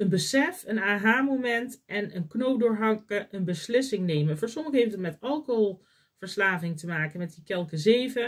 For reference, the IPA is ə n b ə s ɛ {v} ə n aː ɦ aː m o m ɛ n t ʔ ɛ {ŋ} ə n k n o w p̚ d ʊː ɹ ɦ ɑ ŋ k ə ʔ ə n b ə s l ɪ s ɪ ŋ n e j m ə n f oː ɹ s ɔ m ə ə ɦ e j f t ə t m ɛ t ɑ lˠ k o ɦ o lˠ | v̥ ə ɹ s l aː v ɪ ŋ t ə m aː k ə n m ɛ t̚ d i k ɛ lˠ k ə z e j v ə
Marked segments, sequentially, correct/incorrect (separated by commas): incorrect, incorrect